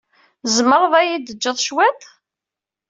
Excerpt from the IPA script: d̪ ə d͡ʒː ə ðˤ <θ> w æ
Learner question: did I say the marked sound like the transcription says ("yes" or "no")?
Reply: no